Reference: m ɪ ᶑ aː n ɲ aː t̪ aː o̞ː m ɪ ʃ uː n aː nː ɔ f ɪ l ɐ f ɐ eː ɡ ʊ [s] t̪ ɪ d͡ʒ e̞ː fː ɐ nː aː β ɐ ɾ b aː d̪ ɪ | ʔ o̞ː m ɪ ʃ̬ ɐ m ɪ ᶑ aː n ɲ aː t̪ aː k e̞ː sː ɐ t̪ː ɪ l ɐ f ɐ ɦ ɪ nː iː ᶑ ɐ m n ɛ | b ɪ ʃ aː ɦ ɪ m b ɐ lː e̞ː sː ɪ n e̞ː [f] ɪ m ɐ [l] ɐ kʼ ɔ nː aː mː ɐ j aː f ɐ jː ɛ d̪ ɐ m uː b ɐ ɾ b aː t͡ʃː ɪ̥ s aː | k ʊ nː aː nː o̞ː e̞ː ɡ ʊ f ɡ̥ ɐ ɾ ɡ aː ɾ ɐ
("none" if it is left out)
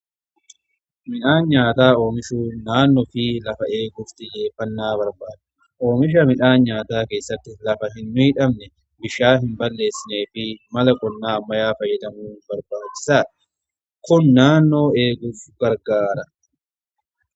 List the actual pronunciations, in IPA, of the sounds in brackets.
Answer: f, f, l

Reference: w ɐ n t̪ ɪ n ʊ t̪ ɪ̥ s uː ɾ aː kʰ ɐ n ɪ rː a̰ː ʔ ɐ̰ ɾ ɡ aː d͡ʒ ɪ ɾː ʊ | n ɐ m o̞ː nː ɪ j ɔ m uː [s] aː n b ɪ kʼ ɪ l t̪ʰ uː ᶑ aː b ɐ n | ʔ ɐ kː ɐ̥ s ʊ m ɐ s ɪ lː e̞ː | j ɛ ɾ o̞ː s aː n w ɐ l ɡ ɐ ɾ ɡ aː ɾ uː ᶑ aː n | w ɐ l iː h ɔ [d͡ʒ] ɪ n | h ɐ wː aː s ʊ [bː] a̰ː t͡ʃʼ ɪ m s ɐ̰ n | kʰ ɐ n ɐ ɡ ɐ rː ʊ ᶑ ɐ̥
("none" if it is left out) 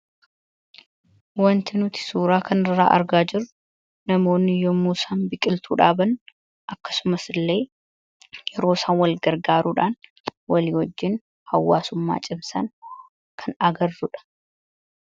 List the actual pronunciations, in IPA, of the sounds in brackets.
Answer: s, d͡ʒː, mː

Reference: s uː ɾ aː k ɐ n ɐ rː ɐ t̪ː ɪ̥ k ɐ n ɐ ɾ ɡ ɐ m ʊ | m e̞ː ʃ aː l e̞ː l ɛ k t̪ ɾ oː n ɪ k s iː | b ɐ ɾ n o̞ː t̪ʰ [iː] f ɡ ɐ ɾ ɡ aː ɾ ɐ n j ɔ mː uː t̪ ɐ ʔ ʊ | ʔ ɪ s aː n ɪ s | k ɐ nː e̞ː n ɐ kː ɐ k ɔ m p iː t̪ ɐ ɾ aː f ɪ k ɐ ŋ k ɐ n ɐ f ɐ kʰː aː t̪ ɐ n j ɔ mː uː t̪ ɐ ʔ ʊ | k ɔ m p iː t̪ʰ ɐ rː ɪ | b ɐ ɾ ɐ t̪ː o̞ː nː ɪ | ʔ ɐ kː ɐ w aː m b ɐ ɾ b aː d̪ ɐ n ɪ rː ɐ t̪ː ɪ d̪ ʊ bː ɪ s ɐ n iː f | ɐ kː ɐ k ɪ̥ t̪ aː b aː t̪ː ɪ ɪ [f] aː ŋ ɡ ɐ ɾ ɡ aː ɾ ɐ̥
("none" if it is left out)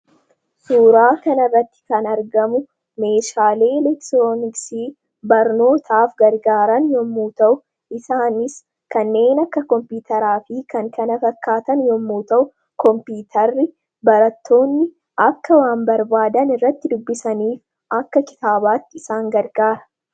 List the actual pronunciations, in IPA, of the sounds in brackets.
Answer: aː, s

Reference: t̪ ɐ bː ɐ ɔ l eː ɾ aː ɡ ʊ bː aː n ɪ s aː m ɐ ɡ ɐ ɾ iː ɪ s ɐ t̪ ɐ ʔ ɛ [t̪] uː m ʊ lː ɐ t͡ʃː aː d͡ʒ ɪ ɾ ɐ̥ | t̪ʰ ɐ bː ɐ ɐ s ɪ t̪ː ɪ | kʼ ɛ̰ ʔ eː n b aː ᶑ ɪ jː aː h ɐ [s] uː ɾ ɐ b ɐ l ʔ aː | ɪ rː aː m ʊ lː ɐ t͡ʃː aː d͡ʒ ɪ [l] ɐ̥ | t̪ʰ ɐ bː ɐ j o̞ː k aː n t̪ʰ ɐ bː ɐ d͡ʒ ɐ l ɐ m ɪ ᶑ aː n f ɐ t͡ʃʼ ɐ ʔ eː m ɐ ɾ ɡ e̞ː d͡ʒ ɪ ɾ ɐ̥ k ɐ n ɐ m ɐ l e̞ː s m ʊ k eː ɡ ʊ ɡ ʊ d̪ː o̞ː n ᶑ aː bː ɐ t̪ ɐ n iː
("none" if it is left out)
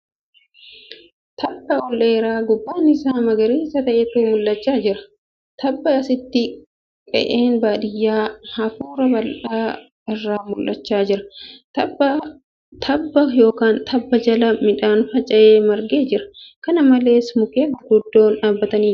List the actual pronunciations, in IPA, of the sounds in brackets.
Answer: t̪, f, ɾ

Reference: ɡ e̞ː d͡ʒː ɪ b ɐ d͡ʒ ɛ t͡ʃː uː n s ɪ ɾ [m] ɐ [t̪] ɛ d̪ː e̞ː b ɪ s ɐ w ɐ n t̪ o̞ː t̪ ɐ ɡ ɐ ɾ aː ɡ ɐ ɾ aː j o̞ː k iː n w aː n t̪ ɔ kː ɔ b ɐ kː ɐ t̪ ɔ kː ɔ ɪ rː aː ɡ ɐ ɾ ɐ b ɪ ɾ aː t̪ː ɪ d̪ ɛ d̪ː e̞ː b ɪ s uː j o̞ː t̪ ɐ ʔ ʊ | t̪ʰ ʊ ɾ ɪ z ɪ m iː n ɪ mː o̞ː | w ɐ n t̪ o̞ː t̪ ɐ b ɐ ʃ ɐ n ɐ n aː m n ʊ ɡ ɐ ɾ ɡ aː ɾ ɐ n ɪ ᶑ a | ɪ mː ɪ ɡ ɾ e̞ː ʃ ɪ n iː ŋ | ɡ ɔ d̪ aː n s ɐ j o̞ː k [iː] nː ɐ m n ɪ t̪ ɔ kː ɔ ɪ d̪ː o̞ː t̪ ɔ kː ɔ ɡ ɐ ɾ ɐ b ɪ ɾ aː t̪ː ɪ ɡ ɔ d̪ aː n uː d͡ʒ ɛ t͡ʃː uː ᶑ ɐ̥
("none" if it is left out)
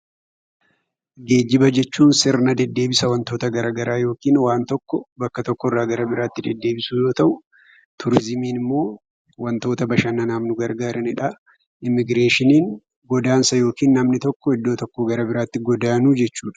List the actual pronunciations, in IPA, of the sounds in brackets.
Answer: n, d̪, iː

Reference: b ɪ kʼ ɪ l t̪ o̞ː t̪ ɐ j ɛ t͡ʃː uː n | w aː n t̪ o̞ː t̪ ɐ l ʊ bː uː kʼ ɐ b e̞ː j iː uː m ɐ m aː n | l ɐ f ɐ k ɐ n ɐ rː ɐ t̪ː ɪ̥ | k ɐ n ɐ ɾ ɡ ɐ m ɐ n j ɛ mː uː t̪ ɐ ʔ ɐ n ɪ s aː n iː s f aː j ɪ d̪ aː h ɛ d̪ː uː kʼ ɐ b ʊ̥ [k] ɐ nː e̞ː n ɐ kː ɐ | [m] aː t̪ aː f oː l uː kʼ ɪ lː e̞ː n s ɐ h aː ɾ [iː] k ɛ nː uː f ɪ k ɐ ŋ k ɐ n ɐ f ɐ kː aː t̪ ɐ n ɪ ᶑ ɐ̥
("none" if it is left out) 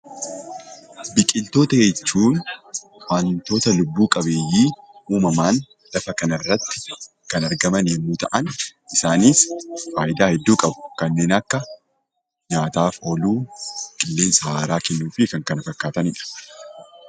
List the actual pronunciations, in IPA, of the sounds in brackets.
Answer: k, ɲ, aː

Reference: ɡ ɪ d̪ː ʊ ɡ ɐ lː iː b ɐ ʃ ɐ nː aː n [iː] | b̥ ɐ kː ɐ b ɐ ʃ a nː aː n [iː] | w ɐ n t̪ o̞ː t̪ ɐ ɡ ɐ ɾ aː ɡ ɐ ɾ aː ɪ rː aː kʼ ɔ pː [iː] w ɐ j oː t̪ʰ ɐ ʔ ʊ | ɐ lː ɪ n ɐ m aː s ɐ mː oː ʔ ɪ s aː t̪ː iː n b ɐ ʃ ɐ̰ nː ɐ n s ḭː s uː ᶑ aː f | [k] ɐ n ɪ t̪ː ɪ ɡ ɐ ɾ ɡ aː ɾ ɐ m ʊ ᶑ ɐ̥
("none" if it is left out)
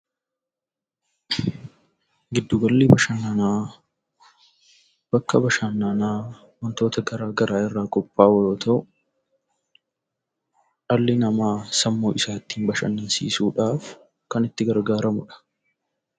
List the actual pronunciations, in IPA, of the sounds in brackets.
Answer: aː, aː, aː, k

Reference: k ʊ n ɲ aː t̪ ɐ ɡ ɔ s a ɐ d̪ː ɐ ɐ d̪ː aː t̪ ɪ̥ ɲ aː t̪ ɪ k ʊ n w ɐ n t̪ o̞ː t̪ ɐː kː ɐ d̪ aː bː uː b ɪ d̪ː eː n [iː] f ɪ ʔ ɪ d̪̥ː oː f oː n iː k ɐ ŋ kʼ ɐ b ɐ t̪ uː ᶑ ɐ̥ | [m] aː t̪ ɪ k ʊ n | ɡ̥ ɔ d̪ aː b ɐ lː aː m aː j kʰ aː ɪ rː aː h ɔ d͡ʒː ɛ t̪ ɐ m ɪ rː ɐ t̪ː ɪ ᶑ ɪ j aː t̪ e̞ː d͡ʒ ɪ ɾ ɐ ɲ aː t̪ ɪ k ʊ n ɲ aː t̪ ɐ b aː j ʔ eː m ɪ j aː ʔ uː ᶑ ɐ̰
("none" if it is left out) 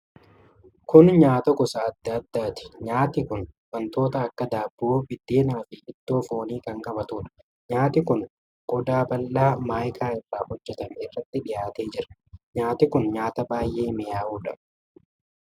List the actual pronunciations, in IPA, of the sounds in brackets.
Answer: aː, ɲ

